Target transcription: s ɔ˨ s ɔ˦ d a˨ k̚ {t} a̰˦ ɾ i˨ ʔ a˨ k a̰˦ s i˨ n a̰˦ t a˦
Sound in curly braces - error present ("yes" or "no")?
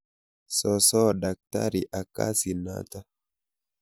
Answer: no